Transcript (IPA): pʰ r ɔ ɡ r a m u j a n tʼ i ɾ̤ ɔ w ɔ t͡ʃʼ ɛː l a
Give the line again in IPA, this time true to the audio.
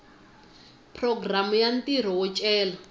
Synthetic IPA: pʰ r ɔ ɡ r a m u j a n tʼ i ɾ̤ ɔ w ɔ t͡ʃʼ ɛː l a